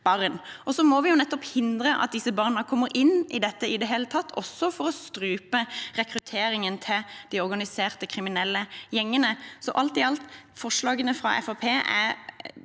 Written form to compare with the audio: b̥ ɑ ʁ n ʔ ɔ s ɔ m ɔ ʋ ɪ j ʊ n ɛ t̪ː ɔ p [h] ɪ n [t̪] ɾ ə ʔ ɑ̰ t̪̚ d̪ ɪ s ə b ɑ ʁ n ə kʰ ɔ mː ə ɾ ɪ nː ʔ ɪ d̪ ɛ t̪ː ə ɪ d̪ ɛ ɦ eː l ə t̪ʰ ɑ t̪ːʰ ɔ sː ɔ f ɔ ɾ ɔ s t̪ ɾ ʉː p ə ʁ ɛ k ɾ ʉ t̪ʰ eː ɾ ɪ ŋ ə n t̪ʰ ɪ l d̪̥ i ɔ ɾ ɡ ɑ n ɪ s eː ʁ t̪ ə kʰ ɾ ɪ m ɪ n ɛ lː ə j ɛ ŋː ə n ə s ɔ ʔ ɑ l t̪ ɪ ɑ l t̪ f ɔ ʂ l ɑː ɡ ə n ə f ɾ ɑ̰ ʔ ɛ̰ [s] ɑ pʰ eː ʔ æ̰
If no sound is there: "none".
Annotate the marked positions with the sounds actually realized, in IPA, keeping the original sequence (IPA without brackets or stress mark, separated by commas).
h, d̪, f